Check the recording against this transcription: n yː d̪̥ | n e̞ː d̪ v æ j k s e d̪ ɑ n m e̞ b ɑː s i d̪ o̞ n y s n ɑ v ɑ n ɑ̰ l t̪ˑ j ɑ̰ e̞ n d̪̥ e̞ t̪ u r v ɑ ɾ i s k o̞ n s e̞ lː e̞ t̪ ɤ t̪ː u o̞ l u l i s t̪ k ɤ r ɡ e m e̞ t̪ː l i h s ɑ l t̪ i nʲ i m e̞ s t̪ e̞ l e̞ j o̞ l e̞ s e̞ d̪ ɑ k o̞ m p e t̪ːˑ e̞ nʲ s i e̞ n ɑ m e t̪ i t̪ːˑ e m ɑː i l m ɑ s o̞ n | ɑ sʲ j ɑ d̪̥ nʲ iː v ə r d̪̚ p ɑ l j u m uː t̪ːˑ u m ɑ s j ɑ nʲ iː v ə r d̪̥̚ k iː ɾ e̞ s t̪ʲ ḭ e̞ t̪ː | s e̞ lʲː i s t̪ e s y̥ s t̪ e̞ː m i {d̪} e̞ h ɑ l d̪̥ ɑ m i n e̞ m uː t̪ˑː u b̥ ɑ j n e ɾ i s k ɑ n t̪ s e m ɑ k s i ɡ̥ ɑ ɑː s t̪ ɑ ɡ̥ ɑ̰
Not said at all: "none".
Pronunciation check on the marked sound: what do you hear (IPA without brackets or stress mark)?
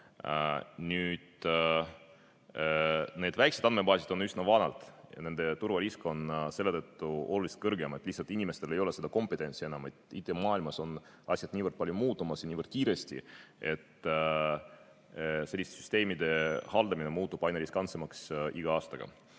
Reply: d̪